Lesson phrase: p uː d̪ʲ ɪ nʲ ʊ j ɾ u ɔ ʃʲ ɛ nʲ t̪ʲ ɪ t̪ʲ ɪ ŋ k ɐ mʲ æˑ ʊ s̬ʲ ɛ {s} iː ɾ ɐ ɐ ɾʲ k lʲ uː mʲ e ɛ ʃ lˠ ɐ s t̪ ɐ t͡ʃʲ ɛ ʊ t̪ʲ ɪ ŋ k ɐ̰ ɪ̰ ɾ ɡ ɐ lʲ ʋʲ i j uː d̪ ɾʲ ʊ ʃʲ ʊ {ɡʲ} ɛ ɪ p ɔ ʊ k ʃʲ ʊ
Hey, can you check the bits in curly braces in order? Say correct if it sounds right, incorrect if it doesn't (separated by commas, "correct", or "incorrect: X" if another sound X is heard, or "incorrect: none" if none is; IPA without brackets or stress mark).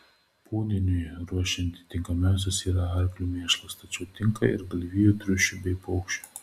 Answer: correct, incorrect: bʲ